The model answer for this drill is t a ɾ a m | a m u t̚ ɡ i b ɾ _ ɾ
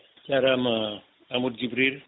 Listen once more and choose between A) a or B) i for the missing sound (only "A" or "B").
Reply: B